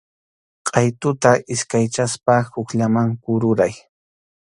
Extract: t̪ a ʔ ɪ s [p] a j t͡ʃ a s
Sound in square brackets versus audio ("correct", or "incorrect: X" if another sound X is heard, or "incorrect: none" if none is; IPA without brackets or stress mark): incorrect: k